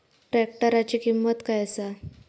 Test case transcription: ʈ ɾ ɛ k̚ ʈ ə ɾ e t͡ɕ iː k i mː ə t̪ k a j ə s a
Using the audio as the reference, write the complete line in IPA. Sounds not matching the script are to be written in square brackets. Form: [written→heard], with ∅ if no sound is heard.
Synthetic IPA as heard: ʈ ɾ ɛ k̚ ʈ ə ɾ [e→a] t͡ɕ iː k i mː ə t̪ k a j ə s a